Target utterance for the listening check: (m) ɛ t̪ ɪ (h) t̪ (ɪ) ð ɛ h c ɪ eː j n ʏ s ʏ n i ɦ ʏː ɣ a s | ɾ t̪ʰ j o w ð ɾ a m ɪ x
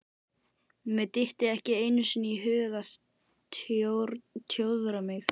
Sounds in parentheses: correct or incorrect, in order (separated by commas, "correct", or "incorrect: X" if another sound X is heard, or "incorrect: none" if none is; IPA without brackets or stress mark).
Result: correct, correct, correct